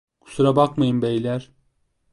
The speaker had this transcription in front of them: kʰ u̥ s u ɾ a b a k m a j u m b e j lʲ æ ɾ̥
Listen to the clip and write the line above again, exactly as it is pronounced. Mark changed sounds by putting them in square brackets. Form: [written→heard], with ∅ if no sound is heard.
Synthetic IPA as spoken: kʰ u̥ s u ɾ a b a k m a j [u→ɯ] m b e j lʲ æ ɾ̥